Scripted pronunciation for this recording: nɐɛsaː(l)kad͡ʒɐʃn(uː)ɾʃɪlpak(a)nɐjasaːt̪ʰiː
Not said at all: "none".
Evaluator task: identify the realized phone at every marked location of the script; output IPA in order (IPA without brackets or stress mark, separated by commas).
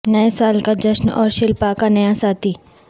l, ɔː, a